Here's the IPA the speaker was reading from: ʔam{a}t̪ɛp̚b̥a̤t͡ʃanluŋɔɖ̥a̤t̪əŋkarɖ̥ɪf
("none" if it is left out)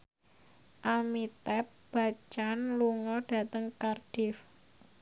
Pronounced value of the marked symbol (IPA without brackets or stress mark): i